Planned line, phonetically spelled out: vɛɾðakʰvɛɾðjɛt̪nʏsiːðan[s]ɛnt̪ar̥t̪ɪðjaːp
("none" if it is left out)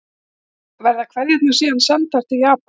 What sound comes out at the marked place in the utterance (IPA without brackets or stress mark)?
s